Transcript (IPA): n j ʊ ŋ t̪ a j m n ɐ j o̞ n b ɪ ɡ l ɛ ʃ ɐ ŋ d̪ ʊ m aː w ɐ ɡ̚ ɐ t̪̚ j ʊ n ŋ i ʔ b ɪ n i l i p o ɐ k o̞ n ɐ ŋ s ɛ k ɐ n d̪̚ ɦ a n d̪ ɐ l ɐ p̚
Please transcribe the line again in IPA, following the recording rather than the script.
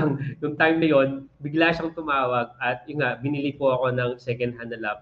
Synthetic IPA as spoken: ŋ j ʊ ŋ t̪ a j m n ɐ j o̞ n b ɪ ɡ l a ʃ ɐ ŋ t̪ ʊ m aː w ɐ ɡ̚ ɐ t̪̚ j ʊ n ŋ a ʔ b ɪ n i l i p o ɐ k o̞ n ɐ ŋ s ɛ k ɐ n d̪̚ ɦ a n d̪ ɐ l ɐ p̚